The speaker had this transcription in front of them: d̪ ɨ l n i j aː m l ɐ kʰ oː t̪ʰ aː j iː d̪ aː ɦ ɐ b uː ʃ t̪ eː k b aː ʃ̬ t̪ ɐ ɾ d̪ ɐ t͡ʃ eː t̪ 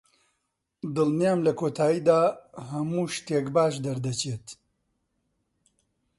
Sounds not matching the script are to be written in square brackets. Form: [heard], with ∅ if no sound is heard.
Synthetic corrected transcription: d̪ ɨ l n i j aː m l ɐ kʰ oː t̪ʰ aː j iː d̪ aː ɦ ɐ [m] uː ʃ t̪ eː k b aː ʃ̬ [d̪] ɐ ɾ d̪ ɐ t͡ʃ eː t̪